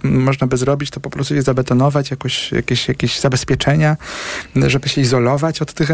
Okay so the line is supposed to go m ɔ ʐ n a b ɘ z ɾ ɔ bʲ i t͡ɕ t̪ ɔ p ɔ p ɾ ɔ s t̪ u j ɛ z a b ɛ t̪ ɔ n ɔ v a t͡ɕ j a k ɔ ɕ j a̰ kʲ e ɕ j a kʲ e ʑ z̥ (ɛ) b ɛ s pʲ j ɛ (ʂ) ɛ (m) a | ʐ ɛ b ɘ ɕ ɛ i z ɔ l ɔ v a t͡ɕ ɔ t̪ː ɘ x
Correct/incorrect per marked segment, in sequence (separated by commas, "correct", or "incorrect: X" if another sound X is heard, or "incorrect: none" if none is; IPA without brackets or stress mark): incorrect: a, incorrect: t͡ʂ, incorrect: ɲ